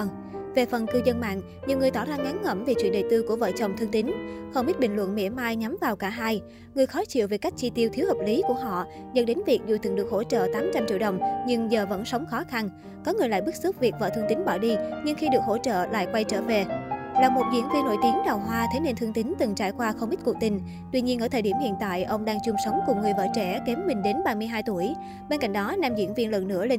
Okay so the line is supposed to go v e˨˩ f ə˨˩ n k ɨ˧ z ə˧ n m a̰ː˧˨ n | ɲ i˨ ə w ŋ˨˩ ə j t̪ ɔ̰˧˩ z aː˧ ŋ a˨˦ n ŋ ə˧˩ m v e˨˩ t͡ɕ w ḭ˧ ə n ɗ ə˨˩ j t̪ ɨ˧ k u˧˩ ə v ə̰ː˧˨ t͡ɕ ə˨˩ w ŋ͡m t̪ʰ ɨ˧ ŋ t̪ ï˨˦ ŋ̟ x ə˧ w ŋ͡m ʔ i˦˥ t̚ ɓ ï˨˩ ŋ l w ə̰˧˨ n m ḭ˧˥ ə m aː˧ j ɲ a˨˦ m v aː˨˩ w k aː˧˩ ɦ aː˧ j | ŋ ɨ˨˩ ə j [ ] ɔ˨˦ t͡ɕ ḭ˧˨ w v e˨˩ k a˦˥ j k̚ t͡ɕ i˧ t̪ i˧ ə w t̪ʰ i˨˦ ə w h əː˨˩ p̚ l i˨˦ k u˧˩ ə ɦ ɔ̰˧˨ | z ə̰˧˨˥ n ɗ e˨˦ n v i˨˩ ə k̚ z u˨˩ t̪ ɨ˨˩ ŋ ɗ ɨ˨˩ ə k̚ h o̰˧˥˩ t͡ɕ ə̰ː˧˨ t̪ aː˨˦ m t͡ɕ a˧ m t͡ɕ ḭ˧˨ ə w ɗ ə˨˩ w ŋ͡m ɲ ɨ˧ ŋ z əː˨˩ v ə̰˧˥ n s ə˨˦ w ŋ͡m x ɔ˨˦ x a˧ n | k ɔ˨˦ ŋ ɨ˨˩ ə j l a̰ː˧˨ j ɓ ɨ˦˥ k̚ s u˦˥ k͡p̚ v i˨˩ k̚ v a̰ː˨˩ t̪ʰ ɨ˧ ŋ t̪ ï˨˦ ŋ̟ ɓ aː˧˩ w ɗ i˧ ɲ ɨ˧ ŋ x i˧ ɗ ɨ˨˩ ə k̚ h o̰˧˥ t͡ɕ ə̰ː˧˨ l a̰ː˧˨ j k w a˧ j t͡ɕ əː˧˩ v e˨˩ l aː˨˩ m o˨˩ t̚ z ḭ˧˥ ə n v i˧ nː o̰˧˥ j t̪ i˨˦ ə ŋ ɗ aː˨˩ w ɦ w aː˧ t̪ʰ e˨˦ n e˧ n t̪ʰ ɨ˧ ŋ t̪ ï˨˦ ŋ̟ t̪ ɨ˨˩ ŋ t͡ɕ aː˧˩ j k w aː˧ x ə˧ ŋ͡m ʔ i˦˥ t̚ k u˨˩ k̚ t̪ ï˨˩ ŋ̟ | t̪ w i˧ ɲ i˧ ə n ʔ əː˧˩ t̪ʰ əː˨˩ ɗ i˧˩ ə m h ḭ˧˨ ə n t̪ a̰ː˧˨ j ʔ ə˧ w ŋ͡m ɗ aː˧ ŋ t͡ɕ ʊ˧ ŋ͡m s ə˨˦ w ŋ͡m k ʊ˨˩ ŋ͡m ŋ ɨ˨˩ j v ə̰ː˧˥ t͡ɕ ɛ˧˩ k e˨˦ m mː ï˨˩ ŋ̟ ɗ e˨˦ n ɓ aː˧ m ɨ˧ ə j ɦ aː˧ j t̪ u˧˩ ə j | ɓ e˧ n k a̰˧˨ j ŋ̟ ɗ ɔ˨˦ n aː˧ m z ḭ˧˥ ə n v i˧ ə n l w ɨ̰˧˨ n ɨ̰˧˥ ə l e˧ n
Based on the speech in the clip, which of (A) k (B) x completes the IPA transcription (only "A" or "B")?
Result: B